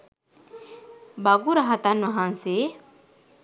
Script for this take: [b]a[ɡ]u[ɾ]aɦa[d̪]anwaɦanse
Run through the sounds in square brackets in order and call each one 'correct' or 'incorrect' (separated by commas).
correct, correct, correct, incorrect